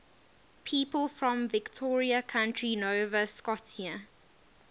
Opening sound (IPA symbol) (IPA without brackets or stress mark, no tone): pʰ